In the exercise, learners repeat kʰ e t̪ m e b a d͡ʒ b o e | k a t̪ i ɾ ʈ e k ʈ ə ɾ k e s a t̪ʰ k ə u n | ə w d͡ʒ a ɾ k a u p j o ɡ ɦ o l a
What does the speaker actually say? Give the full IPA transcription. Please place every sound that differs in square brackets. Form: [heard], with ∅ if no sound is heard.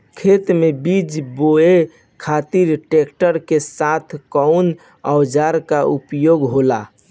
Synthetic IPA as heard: kʰ e t̪ m e b [i] d͡ʒ b o e | [kʰ] a t̪ i ɾ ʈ e k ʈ ə ɾ k e s a t̪ʰ k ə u n | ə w d͡ʒ a ɾ k a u p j o ɡ ɦ o l a